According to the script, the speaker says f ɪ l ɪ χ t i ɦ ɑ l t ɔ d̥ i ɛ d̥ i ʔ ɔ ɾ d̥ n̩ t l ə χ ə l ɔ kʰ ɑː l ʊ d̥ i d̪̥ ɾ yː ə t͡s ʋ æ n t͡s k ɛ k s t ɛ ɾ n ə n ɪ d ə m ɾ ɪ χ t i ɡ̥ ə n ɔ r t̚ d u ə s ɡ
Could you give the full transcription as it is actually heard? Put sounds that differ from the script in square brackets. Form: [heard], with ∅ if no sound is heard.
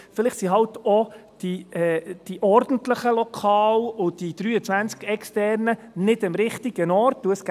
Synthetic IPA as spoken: f ɪ l ɪ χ [s] i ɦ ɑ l t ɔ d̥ i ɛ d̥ i ʔ ɔ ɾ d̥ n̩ t l ə χ ə l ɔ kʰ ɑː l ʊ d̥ i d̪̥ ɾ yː ə t͡s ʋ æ n t͡s k ɛ k s t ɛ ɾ n ə n ɪ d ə m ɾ ɪ χ t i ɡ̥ ə n ɔ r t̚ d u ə s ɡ